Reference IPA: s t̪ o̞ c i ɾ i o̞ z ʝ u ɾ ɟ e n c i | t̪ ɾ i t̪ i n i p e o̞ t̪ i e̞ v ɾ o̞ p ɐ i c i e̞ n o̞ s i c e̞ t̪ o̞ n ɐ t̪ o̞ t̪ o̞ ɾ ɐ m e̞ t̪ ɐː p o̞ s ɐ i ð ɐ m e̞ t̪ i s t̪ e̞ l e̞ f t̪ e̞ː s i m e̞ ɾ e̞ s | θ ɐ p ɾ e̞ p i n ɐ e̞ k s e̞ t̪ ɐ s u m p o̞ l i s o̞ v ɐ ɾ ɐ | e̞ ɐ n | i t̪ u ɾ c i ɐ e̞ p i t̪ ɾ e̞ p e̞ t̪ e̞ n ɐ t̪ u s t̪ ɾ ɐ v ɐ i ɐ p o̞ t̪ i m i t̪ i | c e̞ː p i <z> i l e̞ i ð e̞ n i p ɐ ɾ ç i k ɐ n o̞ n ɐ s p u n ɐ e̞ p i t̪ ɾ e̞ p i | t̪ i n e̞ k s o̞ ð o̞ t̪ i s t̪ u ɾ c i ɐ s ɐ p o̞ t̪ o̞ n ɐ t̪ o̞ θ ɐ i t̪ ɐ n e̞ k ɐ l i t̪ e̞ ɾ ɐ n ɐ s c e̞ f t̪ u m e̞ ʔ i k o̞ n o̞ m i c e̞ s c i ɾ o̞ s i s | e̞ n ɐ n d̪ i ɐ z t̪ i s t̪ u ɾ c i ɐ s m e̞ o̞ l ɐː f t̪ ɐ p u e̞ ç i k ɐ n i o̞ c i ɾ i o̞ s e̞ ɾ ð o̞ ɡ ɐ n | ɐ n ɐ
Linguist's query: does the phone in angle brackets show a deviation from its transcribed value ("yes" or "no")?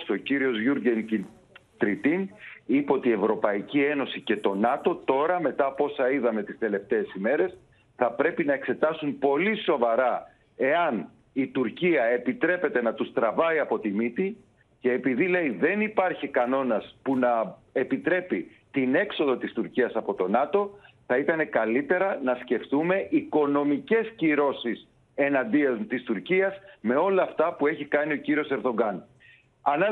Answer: yes